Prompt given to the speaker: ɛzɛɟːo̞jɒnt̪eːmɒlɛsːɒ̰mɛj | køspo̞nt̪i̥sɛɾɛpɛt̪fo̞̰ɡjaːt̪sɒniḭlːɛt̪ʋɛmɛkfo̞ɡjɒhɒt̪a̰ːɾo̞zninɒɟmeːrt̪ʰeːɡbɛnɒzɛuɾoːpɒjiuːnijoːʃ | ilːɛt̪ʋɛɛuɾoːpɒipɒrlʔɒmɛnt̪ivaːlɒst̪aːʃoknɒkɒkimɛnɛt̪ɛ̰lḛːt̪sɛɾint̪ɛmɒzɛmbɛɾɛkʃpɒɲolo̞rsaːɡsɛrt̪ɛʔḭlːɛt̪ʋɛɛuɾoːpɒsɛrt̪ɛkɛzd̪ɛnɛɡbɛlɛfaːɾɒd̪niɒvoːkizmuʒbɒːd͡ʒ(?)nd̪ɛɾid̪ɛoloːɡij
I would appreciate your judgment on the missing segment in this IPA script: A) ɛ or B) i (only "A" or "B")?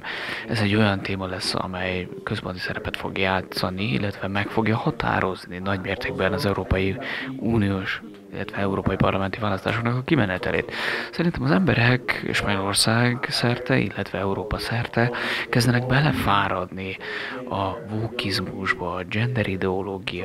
A